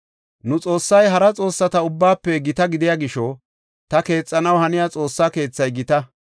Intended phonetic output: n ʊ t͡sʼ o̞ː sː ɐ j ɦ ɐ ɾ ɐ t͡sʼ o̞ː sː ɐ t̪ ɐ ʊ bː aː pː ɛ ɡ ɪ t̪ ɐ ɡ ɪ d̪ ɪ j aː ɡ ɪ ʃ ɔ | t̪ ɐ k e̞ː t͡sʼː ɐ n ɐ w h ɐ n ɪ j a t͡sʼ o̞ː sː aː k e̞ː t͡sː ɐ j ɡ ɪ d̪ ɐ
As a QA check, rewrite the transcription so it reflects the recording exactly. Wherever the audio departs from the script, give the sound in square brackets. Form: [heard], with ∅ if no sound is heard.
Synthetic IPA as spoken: n ʊ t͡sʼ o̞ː sː ɐ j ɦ ɐ ɾ ɐ t͡sʼ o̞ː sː ɐ t̪ ɐ ʊ bː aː pː ɛ ɡ ɪ t̪ ɐ ɡ ɪ d̪ ɪ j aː ɡ ɪ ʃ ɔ | t̪ ɐ k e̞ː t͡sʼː ɐ n ɐ w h ɐ n ɪ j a t͡sʼ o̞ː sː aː k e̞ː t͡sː ɐ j ɡ ɪ [t̪] ɐ